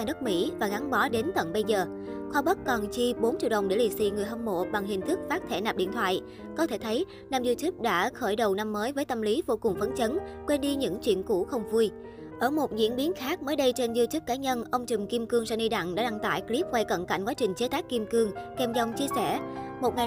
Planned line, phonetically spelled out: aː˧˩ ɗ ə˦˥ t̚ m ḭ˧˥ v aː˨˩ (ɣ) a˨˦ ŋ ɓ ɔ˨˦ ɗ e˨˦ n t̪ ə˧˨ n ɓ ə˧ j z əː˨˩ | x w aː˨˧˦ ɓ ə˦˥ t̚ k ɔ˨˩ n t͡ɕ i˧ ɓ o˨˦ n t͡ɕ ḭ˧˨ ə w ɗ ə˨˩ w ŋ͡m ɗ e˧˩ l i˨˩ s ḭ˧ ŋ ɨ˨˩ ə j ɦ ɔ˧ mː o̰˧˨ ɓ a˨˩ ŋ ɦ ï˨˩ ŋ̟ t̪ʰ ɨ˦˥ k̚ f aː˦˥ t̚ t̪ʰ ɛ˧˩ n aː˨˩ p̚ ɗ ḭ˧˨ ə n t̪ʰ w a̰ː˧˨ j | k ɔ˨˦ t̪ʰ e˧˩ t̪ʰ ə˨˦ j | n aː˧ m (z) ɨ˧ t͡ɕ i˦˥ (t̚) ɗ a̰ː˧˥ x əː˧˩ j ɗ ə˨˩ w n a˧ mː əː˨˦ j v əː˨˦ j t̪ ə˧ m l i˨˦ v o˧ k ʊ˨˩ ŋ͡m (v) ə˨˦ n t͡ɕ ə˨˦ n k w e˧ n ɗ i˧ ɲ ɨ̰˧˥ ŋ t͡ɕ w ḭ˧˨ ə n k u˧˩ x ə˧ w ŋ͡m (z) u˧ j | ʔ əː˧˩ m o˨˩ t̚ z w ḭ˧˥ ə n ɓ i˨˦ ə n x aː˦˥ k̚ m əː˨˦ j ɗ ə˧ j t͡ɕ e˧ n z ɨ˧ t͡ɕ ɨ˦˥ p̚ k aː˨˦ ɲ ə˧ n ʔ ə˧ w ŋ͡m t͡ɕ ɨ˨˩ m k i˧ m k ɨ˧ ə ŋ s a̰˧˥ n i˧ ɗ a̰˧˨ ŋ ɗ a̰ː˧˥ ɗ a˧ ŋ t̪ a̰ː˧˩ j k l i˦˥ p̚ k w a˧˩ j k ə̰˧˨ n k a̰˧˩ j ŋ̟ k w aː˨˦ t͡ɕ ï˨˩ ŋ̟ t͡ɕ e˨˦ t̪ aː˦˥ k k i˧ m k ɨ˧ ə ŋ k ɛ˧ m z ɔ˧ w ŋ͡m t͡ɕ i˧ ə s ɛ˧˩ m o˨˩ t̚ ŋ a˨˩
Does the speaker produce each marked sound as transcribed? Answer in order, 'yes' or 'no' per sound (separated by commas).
yes, yes, no, no, no